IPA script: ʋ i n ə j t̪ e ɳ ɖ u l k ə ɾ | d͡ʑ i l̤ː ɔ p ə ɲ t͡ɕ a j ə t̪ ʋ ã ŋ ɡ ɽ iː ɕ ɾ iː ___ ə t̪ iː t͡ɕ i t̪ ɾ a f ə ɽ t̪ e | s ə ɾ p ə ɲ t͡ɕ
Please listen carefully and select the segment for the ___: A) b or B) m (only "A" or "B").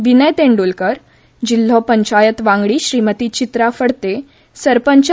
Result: B